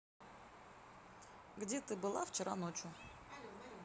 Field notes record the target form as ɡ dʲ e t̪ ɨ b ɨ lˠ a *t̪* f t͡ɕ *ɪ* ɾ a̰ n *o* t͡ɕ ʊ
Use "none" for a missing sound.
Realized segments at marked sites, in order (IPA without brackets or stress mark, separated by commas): none, ɪ, o